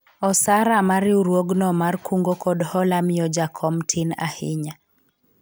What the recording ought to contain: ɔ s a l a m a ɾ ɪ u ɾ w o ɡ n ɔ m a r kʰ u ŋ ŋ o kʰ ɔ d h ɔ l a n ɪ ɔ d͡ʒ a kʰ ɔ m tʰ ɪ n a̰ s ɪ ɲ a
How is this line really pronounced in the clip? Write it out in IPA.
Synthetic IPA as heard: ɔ s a ɾ a m a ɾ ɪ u ɾ w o ɡ n ɔ m a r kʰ u ŋ ɡ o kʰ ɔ d h ɔ l a m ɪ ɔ d͡ʒ a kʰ ɔ m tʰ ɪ n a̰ h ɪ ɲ a